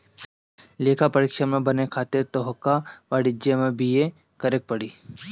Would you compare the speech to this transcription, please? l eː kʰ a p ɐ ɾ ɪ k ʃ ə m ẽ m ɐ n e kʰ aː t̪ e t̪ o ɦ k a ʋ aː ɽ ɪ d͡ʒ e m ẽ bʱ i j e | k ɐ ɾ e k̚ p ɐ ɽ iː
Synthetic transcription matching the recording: l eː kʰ a p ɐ ɾ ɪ k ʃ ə m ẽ b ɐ n e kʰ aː t̪ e t̪ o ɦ k a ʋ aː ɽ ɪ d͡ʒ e m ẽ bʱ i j e | k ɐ ɾ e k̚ p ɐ ɽ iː

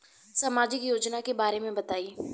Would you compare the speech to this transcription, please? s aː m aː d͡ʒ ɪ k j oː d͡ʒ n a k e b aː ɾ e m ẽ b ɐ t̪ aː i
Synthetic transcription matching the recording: s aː m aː d͡ʒ ɪ k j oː d͡ʒ n a k e b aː ɾ e m ẽ b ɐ t̪ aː i

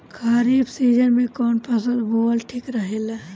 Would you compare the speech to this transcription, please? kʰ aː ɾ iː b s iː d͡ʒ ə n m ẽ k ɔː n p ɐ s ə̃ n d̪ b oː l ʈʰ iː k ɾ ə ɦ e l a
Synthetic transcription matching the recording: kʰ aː ɾ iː b s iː d͡ʒ ə n m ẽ k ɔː n p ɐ s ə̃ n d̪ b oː l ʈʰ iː k ɾ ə ɦ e l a

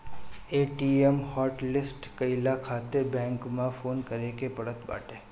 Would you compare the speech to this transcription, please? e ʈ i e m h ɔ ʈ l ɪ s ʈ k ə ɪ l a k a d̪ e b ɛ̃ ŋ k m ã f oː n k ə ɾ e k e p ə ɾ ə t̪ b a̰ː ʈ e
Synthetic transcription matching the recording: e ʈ i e m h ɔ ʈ l ɪ s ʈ k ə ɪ l a kʰ a t̪ e b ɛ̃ ŋ k m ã f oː n k ə ɾ e k e p ə ɽ ə t̪ b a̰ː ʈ e

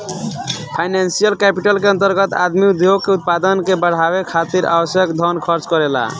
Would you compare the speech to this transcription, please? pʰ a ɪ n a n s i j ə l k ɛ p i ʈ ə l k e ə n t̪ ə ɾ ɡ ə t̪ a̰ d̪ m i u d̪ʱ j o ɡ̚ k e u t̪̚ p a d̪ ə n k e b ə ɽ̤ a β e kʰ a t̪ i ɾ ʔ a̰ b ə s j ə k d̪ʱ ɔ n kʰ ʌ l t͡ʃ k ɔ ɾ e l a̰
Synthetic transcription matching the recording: pʰ a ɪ n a n s i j ə l k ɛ p i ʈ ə l k e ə n t̪ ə ɾ ɡ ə t̪ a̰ d̪ m i u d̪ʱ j o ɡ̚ k e u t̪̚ p a d̪ ə n k e b ə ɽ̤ a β e kʰ a t̪ i ɾ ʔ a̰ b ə s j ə k d̪ʱ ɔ n kʰ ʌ ɾ t͡ʃ k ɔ ɾ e l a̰

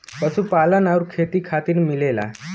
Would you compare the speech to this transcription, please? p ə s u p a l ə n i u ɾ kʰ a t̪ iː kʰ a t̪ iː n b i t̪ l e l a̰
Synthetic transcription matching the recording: p ə s u p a l ə n a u ɾ kʰ e t̪ iː kʰ a t̪ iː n m i l e l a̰

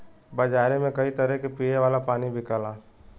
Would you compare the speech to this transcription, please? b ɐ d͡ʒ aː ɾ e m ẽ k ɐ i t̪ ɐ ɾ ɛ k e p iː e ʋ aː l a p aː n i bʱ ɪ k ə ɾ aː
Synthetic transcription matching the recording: b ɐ d͡ʒ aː ɾ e m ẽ k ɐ i t̪ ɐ ɾ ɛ k e p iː e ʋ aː l a p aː n i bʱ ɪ k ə l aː

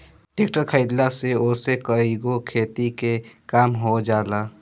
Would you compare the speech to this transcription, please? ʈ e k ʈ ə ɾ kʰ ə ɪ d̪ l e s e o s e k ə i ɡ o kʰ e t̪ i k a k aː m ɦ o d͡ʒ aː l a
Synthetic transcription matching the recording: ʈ e k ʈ ə ɾ kʰ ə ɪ d̪ l a s e o s e k ə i ɡ o kʰ e t̪ i k e k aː m ɦ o d͡ʒ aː l a

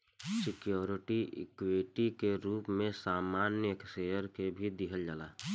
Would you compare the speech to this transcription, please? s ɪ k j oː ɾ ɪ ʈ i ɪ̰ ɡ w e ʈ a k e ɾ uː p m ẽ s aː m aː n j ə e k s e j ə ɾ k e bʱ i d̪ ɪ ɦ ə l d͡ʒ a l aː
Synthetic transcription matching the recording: s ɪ k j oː ɾ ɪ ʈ i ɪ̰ k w e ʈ i k e ɾ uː p m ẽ s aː m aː n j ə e k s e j ə ɾ k e bʱ i d̪ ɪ ɦ ə l d͡ʒ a l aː

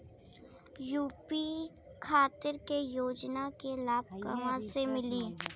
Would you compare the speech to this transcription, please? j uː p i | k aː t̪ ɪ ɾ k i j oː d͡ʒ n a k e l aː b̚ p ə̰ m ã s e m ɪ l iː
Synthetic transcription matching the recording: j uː p i | kʰ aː t̪ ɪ ɾ k e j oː d͡ʒ n a k e l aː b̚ k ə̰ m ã s e m ɪ l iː

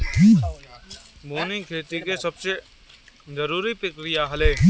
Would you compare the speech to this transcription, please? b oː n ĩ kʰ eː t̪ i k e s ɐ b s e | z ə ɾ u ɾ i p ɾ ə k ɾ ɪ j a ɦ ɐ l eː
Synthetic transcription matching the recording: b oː n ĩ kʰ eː t̪ i k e s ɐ b s e | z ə ɾ uː ɾ i p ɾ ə k ɾ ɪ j a ɦ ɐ l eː

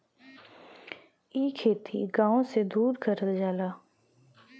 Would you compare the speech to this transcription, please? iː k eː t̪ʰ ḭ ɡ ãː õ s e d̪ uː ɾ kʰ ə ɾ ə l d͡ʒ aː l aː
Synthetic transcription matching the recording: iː kʰ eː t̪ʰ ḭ ɡ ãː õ s e d̪ uː ɾ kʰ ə ɾ ə l d͡ʒ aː l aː

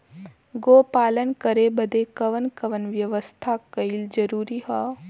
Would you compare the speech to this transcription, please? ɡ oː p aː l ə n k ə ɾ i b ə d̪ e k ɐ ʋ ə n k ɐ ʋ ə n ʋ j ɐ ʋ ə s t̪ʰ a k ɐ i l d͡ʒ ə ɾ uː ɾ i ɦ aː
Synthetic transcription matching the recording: ɡ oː p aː l ə n k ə ɾ e b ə d̪ e k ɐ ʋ ə n k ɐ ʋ ə n ʋ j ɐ ʋ ə s t̪ʰ a k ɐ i l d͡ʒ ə ɾ uː ɾ i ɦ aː

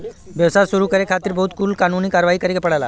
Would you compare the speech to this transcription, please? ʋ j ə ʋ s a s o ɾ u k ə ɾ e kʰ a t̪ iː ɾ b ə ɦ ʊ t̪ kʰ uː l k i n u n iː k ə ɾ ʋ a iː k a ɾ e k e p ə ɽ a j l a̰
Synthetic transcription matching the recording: ʋ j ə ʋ s a s u ɾ u k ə ɾ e kʰ a t̪ iː ɾ b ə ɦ u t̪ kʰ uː l k a n u n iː k a ɾ ʋ a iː k ə ɾ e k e p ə ɽ a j l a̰

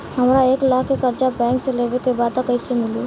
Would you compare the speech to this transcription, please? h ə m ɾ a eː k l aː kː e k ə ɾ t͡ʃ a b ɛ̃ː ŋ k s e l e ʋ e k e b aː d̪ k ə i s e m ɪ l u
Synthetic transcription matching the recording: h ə m ɾ a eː k l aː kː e k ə ɾ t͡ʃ a b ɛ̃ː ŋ k s e l e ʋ e k e b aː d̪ k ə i s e m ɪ l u

